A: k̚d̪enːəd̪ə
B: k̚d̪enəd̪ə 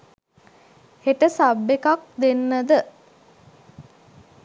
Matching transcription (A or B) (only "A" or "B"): A